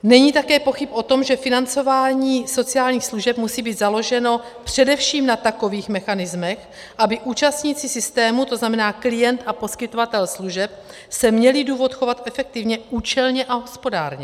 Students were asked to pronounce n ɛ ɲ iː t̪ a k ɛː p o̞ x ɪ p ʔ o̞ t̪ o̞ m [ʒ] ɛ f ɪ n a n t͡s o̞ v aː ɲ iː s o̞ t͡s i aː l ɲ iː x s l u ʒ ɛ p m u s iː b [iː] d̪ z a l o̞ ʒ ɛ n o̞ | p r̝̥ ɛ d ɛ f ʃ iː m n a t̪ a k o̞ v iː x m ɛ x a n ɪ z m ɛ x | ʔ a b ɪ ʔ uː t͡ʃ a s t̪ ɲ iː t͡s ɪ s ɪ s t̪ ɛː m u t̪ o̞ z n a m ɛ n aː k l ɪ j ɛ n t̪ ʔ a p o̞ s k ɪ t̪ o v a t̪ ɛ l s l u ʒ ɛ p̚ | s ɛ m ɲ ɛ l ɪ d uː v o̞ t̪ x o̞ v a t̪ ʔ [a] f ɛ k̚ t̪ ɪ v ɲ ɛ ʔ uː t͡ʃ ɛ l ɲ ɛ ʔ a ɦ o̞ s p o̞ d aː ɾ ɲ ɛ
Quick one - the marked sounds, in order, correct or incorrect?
correct, correct, incorrect

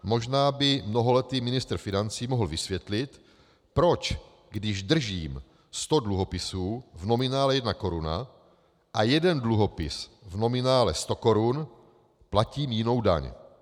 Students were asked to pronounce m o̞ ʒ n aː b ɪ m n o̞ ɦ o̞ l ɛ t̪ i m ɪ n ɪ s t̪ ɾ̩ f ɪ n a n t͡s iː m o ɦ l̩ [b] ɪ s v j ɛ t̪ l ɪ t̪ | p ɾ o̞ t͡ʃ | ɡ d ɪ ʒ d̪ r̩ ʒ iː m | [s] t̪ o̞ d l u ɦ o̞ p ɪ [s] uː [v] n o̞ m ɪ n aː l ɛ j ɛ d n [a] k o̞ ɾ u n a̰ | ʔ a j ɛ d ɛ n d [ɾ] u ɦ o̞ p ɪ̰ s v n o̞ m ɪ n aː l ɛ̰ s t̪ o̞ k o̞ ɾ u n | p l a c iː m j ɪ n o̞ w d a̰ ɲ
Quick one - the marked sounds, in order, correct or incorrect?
incorrect, correct, correct, correct, correct, incorrect

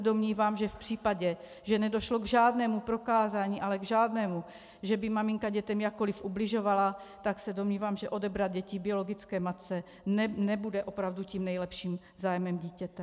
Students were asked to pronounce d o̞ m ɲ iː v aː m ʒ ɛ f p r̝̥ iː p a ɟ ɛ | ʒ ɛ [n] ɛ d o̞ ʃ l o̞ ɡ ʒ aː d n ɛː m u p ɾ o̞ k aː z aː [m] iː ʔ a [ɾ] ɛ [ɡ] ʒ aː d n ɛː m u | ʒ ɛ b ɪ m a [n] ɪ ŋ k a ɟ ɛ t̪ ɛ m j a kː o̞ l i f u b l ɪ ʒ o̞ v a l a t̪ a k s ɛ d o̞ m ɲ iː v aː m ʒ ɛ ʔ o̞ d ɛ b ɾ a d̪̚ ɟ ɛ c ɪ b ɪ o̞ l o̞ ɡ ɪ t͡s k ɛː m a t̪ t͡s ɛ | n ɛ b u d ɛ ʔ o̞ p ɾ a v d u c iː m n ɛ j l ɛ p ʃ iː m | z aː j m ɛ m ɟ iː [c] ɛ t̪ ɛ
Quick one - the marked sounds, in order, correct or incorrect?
correct, incorrect, incorrect, correct, incorrect, correct

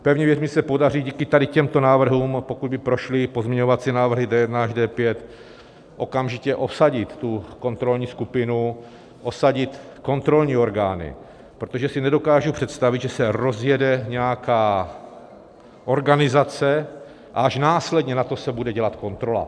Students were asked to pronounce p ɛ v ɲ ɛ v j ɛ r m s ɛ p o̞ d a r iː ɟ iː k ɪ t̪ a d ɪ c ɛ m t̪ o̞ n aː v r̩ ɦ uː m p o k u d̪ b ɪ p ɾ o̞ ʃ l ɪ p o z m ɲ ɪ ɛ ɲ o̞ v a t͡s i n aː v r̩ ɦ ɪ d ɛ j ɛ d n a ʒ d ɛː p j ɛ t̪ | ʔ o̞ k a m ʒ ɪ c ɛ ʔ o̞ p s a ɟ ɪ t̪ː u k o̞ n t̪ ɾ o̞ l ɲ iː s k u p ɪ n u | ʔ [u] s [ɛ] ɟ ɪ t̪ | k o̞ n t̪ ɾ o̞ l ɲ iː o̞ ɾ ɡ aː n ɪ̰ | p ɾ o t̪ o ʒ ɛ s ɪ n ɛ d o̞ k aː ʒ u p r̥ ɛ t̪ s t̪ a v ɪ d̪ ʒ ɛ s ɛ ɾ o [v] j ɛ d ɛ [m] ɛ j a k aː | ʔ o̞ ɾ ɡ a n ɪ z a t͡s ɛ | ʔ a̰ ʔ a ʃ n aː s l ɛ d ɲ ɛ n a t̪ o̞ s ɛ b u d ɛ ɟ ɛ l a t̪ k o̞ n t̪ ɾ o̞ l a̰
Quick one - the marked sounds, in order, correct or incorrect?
incorrect, incorrect, incorrect, incorrect

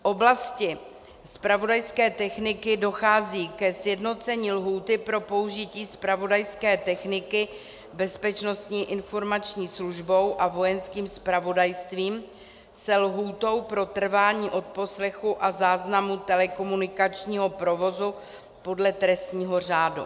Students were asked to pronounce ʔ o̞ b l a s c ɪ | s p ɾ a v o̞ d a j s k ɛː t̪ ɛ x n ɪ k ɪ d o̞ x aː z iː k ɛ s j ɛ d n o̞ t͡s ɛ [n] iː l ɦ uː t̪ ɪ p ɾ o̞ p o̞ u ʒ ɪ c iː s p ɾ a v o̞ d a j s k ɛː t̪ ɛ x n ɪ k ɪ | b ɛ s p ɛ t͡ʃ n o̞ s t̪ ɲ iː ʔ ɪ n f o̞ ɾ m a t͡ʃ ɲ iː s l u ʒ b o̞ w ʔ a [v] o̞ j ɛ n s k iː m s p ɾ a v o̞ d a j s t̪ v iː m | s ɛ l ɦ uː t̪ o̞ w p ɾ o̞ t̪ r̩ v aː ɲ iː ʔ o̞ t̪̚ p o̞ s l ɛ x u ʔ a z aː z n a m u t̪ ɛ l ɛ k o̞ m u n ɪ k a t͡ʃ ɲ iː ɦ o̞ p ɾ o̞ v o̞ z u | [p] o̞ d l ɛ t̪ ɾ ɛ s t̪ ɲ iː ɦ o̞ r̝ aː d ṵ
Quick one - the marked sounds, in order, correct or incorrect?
incorrect, correct, correct

